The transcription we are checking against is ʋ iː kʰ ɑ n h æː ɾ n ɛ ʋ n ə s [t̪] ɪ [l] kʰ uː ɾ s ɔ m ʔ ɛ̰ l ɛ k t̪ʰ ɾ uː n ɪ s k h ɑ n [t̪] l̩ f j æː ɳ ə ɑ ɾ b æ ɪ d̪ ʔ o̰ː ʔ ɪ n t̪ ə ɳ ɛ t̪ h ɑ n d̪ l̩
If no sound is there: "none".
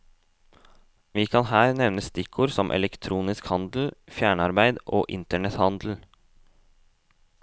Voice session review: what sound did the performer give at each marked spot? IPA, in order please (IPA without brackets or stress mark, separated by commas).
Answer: t̪, none, d̪